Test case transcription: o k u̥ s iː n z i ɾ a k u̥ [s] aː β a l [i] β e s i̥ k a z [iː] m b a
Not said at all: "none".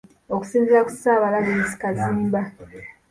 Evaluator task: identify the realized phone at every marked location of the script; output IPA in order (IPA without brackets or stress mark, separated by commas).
s, a, iː